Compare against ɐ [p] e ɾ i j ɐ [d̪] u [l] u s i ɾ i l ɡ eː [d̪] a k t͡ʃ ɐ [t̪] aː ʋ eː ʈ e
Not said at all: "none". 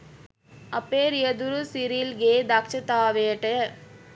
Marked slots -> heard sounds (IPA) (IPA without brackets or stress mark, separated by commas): p, d̪, ɾ, d̪, t̪